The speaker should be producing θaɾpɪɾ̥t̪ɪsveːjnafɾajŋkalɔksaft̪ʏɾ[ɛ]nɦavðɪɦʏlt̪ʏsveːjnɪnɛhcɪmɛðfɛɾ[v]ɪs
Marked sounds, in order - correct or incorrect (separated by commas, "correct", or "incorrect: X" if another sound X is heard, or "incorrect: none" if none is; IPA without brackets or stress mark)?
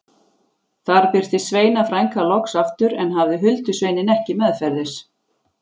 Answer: correct, incorrect: ð